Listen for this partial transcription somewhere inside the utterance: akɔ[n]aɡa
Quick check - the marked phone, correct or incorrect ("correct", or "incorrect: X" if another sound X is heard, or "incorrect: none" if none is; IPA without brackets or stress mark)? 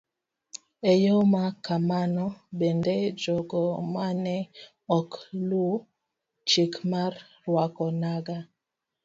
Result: correct